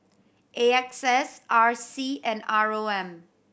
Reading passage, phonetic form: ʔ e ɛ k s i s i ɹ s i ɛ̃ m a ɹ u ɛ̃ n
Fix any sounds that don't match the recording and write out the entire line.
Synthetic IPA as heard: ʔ e ɛ k s ɛ s a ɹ s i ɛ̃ n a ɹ o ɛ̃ m

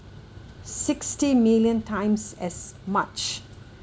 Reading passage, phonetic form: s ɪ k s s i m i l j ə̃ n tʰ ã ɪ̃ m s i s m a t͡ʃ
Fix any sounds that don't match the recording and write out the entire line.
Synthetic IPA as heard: s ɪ k s t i m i l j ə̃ n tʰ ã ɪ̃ m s ɛ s m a t͡ʃ

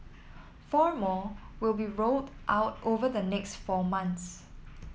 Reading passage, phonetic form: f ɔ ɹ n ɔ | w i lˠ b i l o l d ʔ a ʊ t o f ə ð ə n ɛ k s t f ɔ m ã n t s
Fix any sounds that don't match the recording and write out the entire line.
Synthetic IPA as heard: f ɔ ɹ m ɔ | w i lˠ b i ɹ o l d ʔ a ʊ t o v ə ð ə n ɛ k s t f ɔ m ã n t s

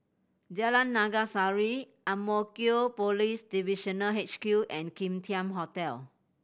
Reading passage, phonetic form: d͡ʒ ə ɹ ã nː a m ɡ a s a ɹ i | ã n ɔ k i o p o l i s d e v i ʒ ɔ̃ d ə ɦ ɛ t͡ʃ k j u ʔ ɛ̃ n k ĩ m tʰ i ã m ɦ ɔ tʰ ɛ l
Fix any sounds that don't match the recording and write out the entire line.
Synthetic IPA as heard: d͡ʒ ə l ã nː a ɡ a s a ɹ i | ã m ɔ k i o p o l i s d i v i ʃ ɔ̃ n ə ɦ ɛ t͡ʃ k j u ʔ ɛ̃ n k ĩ m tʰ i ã m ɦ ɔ t ɛ l

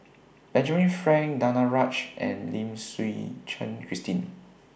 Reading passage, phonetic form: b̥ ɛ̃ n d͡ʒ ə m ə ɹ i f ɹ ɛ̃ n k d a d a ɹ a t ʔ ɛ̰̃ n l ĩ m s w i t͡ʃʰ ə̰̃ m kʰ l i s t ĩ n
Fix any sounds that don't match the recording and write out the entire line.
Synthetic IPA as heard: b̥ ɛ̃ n d͡ʒ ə m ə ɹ i f ɹ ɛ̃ ŋ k d a n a ɹ a t͡ʃ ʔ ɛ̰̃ n l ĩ m s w i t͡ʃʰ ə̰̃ n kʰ ɹ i s t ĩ n

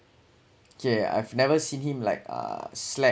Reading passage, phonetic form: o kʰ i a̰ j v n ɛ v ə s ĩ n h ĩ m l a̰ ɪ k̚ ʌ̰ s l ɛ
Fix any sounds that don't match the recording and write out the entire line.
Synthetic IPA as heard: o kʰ e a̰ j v n ɛ v ə s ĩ n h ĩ m l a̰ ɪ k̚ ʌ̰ s l ɛ

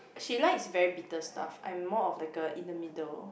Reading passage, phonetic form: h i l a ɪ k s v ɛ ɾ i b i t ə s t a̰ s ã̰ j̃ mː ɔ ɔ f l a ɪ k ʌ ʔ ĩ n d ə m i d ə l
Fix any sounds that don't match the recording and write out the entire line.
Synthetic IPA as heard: ʃ i l a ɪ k s v ɛ ɹ i b i t ə s t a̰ f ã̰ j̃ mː ɔ ɔ f l a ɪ k ə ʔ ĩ n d ə m i d ə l

